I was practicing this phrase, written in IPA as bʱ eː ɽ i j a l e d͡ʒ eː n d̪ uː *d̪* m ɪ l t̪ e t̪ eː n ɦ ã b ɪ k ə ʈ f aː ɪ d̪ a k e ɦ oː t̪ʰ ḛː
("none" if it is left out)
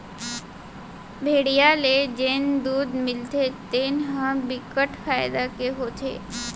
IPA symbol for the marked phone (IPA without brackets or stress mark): d̪